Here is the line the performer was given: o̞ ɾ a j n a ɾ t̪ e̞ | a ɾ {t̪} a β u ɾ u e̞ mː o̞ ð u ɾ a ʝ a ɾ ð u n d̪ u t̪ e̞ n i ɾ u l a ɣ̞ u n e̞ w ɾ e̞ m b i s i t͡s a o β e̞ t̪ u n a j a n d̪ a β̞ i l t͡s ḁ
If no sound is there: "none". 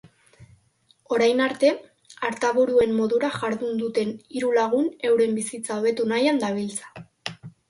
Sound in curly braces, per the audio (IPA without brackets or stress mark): t̪